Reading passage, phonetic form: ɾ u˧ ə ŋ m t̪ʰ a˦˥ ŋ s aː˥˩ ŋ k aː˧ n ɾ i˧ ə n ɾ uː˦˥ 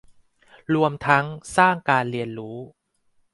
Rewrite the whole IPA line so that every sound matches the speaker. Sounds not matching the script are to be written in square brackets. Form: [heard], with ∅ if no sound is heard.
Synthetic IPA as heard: ɾ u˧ ə [∅] m t̪ʰ a˦˥ ŋ s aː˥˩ ŋ k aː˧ n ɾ i˧ ə n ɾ uː˦˥